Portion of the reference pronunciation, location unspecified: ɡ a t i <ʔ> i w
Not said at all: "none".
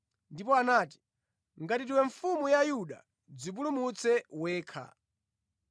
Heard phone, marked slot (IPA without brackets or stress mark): t